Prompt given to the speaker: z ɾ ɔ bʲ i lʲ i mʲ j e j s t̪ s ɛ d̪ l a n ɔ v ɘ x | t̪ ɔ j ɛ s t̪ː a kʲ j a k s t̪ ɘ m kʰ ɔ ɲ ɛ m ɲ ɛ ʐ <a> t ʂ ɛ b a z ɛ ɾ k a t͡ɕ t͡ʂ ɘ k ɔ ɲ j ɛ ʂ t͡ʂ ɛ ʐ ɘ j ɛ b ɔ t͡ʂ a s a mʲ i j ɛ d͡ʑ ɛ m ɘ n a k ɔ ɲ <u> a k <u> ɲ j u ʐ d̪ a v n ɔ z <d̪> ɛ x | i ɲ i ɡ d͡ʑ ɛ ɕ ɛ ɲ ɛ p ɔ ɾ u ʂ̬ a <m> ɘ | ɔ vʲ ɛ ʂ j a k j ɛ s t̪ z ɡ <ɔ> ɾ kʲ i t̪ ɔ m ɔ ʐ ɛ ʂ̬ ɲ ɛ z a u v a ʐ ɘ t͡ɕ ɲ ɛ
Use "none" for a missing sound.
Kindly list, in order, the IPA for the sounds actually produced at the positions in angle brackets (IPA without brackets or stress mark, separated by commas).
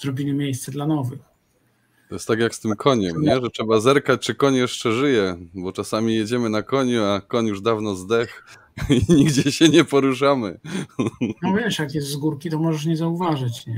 ɛ, u, ɔ, d̪, m, u